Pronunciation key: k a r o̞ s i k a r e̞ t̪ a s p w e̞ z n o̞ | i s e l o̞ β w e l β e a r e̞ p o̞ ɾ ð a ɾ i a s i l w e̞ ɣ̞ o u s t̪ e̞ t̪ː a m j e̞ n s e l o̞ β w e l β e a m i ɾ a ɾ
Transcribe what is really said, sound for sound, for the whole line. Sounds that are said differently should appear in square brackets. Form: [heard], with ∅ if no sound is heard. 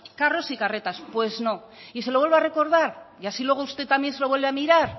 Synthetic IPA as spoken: k a r o̞ s i k a r e̞ t̪ a s p w e̞ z n o̞ | i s e l o̞ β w e l β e a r e̞ [k] o̞ ɾ ð a ɾ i a s i l w e̞ ɣ̞ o u s t̪ e̞ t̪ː a m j e̞ n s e l o̞ β w e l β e a m i ɾ a ɾ